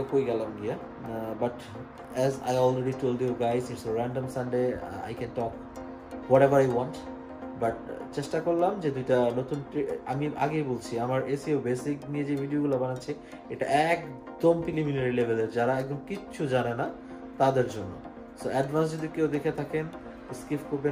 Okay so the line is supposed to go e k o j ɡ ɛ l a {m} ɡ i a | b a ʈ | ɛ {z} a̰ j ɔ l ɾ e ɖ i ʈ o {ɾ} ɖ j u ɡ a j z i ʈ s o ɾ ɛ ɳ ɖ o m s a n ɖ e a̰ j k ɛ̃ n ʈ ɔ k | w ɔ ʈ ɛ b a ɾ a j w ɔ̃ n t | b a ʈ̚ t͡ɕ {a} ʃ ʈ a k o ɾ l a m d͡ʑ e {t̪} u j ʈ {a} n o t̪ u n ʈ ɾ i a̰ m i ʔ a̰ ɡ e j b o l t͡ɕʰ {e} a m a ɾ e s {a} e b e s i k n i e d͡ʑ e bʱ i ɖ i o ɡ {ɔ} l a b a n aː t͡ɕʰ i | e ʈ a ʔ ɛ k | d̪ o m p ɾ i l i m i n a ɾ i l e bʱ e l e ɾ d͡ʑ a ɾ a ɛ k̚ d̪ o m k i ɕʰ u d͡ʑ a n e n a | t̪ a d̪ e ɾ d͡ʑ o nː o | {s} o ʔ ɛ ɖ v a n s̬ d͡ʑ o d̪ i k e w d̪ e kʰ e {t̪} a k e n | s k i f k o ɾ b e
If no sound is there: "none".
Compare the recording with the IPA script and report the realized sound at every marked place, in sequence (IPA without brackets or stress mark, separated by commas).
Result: m, z, l, e, d̪, a, i, i, u, s, t̪ʰ